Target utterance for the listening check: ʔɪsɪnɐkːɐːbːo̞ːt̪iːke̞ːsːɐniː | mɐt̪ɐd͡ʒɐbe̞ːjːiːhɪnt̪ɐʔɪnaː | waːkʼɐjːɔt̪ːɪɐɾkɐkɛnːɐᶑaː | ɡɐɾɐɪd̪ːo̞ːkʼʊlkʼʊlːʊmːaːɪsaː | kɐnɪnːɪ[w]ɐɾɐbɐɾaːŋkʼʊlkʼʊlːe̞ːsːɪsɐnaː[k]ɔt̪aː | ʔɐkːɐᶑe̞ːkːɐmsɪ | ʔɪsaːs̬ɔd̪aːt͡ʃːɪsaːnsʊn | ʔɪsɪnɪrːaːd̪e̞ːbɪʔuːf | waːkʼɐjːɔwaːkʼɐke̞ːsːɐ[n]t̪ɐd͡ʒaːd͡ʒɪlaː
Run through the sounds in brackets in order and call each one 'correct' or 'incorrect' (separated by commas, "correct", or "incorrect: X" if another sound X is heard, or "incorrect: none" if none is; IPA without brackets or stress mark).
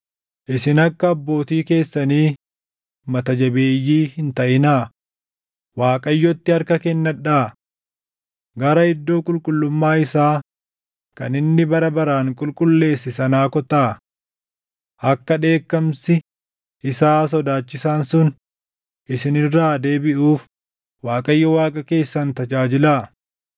incorrect: b, correct, correct